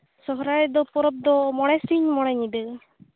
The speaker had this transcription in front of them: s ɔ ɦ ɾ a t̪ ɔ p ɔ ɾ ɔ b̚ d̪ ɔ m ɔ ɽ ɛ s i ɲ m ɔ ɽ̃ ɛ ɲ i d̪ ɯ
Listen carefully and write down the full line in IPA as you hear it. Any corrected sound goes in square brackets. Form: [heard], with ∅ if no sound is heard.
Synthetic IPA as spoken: s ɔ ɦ ɾ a [d̪] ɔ p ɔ ɾ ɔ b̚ d̪ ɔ m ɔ ɽ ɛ s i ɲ m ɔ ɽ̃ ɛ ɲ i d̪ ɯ